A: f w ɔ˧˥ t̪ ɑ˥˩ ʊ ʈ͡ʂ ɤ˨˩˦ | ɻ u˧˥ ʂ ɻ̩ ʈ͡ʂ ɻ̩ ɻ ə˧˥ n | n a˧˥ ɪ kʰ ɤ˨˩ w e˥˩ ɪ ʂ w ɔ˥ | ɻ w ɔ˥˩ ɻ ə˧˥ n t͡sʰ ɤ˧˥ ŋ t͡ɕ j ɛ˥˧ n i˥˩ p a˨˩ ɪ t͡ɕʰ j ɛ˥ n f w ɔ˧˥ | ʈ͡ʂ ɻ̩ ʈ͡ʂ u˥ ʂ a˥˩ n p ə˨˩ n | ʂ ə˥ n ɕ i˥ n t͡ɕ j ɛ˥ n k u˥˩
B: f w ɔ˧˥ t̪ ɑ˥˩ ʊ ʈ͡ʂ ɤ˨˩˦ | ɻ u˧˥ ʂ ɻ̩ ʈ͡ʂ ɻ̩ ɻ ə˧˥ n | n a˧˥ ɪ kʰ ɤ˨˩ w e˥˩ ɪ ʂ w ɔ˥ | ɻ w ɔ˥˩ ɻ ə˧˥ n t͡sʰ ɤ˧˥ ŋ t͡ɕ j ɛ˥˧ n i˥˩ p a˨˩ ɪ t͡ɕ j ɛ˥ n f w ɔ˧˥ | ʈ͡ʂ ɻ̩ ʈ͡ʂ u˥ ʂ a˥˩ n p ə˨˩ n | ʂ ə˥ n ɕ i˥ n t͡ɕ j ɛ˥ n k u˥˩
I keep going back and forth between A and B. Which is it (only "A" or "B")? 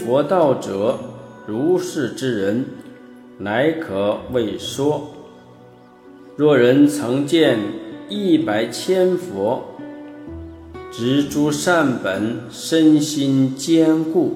A